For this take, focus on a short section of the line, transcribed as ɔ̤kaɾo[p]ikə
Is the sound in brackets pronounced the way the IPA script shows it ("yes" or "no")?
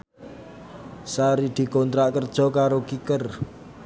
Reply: no